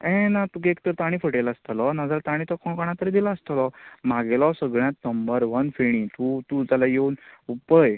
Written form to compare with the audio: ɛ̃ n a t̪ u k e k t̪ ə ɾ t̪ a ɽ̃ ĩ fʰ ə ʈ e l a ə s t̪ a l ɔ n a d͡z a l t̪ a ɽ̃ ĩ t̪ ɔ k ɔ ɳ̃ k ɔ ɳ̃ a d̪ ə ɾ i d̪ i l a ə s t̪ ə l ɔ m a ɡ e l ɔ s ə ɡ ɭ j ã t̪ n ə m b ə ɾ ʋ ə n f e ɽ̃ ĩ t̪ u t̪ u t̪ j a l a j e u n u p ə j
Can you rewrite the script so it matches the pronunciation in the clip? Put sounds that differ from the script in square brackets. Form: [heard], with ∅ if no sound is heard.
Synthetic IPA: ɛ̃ n a t̪ u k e k t̪ ə ɾ t̪ a ɽ̃ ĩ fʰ ə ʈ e l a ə s t̪ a l ɔ n a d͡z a l t̪ a ɽ̃ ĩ t̪ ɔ k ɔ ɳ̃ k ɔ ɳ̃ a [t̪] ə ɾ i d̪ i l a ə s t̪ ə l ɔ m a ɡ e l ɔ s ə ɡ ɭ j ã t̪ n ə m b ə ɾ ʋ ə n f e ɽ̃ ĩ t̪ u t̪ u t̪ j a l a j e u n u p ə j